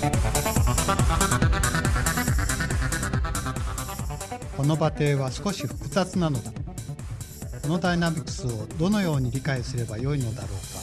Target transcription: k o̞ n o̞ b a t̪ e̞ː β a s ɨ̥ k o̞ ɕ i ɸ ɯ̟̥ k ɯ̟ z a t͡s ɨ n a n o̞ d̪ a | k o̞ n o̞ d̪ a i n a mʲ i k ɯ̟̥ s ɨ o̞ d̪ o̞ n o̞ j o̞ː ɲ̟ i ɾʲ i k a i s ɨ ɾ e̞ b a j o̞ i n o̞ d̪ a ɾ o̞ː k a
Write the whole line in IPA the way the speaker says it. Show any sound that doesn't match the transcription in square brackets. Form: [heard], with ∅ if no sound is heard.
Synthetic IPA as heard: k o̞ n o̞ b a t̪ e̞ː β a s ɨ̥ k o̞ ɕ i ɸ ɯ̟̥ k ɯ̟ z a t͡s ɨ n a n o̞ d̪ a | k o̞ n o̞ d̪ a i n a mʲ i k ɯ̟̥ s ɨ o̞ d̪ o̞ n o̞ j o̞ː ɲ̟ i ɾʲ i k a i s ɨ ɾ e̞ b a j o̞ i n o̞ d̪ a ɾ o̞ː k a